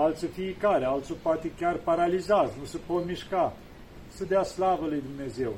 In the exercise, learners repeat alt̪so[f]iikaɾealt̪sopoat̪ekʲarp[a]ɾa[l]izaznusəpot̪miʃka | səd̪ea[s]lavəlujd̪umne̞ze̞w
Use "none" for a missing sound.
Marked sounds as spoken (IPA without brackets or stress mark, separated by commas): f, a, l, s